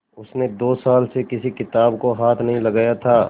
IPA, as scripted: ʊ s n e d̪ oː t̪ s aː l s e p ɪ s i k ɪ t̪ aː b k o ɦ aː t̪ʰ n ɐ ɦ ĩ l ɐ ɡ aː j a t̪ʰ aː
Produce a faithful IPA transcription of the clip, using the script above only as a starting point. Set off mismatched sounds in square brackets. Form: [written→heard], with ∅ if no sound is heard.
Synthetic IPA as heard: ʊ s n e d̪ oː [t̪→∅] s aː l s e [p→k] ɪ s i k ɪ t̪ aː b k o ɦ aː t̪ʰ n ɐ ɦ ĩ l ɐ ɡ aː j a t̪ʰ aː